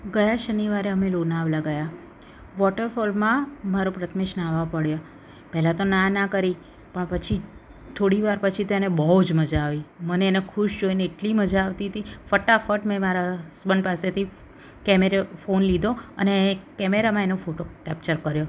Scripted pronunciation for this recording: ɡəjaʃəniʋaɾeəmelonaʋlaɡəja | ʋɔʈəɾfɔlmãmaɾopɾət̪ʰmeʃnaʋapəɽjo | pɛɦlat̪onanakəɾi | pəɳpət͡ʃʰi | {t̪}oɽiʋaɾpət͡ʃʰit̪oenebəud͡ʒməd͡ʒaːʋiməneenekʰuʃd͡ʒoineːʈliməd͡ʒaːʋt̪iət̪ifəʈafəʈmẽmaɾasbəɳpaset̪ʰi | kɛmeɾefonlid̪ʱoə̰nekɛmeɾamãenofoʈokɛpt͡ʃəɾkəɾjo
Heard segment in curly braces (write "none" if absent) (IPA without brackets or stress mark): t̪ʰ